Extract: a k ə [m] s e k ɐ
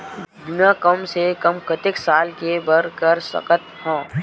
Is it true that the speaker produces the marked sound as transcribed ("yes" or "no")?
yes